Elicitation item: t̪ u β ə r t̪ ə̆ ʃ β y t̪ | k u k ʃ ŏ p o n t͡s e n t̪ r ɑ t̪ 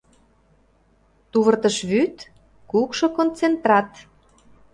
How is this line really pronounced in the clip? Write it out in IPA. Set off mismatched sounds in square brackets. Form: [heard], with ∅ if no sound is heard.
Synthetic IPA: t̪ u β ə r t̪ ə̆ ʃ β y t̪ | k u k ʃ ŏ [k] o n t͡s e n t̪ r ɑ t̪